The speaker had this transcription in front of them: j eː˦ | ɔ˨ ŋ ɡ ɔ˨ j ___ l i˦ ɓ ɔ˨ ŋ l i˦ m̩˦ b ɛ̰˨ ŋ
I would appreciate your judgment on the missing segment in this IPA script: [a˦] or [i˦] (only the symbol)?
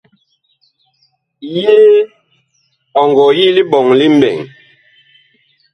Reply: i˦